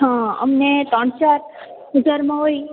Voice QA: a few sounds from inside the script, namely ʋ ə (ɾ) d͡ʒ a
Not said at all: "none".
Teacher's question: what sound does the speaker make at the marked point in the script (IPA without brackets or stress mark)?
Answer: none